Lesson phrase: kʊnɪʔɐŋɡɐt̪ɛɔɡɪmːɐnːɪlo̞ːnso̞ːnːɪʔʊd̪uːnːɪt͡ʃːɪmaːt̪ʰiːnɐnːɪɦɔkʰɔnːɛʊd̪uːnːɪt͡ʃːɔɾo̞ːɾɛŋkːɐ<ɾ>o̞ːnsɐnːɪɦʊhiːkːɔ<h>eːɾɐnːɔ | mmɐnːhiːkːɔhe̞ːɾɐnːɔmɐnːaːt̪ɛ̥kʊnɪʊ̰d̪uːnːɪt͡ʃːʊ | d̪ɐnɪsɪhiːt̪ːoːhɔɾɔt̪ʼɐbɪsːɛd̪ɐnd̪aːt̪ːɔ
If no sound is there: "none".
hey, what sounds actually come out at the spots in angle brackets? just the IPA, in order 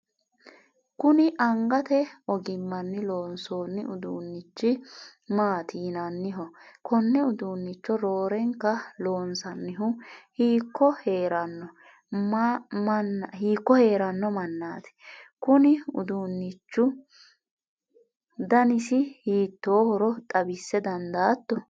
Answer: l, h

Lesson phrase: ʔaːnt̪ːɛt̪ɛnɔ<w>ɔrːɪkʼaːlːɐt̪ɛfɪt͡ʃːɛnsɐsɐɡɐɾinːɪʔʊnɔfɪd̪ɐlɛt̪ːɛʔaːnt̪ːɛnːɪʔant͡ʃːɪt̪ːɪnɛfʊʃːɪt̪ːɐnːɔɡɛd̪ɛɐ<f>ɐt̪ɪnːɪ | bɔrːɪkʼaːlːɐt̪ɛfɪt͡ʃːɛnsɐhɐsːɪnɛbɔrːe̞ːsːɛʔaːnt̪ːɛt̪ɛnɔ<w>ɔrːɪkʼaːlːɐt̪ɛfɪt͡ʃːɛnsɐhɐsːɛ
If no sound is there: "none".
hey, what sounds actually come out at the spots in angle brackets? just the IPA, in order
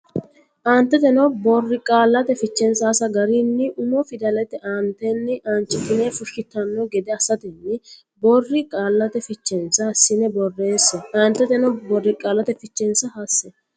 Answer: b, s, b

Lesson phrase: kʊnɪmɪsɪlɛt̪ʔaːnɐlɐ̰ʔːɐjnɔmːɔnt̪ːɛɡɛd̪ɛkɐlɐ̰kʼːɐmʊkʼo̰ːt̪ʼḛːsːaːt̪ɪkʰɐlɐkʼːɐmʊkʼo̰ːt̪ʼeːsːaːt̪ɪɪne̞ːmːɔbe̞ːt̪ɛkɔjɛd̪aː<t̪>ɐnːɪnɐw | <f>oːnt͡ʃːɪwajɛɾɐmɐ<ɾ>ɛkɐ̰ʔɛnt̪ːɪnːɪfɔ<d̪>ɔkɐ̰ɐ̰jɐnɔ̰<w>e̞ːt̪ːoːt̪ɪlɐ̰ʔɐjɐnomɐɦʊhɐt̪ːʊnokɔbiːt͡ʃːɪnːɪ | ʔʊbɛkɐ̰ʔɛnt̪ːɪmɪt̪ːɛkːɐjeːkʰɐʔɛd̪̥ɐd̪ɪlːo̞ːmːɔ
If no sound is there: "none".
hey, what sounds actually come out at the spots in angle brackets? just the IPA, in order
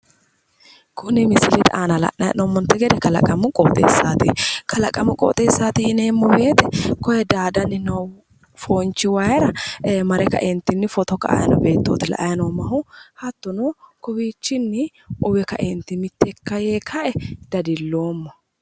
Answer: d̪, f, ɾ, t̪, b

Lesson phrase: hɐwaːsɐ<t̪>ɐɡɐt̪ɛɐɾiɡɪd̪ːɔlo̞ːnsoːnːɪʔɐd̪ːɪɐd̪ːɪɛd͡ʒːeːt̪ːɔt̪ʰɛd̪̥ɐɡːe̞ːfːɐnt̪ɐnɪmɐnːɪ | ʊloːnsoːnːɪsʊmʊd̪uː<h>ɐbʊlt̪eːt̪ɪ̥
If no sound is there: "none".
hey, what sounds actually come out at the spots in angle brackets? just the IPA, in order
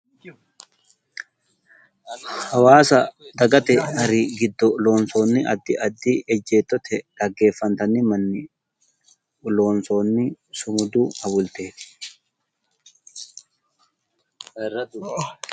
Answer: d̪, h

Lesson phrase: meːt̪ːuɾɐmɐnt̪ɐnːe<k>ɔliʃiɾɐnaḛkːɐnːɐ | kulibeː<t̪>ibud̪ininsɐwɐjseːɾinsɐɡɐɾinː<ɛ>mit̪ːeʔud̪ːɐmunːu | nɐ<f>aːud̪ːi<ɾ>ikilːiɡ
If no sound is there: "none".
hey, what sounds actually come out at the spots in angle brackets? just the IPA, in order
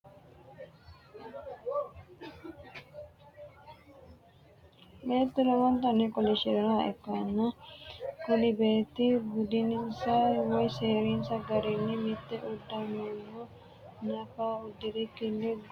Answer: k, t̪, i, f, ɾ

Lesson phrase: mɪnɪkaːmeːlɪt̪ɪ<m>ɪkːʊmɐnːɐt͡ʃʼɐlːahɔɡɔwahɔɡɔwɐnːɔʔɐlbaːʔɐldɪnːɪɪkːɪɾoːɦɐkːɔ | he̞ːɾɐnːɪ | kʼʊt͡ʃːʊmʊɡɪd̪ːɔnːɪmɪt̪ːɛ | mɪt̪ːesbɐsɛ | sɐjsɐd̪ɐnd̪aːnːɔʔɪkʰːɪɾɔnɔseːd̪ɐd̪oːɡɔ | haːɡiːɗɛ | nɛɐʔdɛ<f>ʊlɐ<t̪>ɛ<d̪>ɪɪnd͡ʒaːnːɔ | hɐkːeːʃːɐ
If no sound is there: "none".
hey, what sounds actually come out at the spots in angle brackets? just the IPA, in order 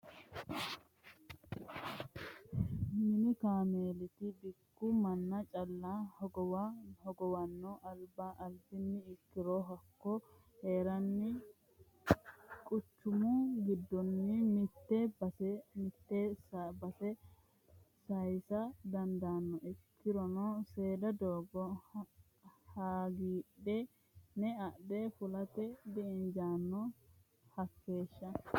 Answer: b, f, t̪, d̪

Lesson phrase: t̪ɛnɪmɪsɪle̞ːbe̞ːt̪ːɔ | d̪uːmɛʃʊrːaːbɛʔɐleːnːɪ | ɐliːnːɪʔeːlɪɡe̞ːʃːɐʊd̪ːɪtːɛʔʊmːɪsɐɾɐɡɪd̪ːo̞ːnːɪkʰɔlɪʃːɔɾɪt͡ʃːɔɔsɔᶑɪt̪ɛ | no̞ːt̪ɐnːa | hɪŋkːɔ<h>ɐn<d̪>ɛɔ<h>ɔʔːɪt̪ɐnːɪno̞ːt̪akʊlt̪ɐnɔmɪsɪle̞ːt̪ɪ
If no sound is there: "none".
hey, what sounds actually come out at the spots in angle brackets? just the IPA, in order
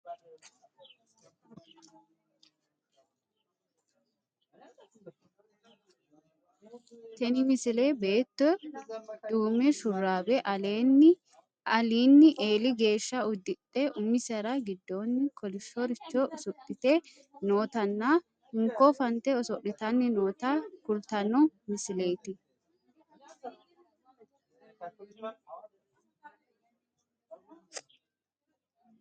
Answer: f, t̪, s

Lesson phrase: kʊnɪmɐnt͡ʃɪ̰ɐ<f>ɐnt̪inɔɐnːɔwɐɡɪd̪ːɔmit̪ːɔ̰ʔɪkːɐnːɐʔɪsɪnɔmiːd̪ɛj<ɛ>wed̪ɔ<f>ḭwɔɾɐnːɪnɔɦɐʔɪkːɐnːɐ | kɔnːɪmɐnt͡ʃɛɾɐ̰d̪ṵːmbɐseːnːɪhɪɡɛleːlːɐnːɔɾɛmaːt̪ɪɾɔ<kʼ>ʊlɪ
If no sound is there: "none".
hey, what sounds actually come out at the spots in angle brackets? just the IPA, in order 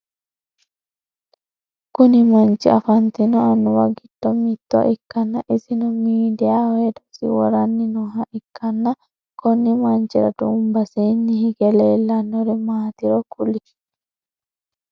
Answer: f, a, s, k

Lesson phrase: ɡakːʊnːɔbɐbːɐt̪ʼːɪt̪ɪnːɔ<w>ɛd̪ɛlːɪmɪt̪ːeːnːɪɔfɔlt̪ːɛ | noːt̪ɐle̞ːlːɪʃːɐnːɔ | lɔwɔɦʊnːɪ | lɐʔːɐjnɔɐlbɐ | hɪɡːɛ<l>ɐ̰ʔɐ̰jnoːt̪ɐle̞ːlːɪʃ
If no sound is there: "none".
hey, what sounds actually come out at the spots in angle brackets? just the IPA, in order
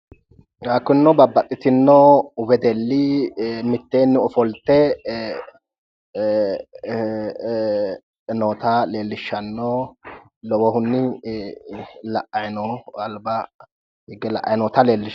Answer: w, l

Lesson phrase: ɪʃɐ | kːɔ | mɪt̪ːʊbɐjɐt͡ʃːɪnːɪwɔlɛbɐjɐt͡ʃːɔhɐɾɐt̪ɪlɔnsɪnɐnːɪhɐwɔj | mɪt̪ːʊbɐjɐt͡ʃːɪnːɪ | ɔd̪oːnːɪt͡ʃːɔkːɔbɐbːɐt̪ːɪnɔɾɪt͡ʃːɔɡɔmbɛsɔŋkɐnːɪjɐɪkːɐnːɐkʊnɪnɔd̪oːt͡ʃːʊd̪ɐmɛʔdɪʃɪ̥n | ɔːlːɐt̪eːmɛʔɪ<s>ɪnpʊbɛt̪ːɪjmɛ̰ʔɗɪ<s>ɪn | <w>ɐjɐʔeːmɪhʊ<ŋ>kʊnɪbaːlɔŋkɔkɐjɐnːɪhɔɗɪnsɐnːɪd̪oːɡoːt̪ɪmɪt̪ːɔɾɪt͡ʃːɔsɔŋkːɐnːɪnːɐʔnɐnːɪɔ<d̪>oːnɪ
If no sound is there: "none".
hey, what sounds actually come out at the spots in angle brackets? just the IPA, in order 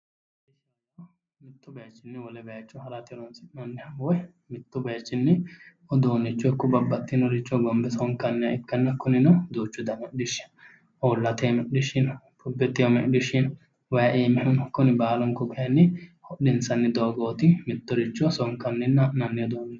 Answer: ʃ, ʃ, w, n, d̪

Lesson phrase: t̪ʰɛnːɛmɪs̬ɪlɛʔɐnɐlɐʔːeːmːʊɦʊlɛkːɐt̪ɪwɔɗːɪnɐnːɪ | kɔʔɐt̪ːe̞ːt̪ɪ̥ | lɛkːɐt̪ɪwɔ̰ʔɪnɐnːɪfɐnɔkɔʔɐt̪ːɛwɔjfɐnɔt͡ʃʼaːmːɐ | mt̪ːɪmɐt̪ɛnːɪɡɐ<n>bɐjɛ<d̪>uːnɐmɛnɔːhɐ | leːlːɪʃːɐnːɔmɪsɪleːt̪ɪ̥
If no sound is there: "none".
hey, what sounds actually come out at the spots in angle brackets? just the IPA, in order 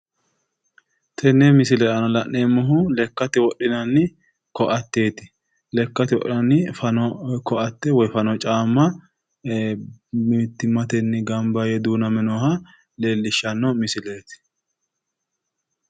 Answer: m, d̪

